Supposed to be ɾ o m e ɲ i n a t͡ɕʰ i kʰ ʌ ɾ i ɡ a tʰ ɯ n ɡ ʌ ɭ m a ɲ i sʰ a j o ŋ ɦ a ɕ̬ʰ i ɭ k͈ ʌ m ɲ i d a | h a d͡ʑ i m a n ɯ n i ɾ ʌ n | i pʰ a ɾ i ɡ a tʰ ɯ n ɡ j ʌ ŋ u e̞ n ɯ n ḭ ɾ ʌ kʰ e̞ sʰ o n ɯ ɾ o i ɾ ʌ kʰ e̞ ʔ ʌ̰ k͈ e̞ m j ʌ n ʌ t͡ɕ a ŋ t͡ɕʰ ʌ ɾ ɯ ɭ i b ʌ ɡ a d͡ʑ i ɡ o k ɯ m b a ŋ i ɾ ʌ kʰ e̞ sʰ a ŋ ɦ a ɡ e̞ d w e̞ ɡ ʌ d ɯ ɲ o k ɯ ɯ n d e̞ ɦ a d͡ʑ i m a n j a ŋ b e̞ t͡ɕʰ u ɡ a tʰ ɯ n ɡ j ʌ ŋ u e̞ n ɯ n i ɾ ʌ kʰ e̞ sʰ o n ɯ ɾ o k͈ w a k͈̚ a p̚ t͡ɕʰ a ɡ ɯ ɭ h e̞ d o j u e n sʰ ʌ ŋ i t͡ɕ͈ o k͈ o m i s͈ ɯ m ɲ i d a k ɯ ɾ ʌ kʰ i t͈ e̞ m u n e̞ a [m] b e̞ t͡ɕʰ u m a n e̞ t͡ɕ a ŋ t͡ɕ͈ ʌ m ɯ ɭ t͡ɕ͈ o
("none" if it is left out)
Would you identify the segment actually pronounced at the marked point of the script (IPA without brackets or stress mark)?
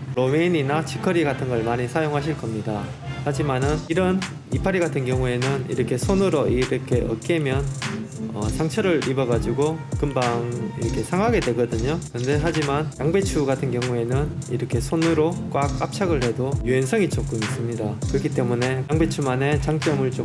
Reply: ŋ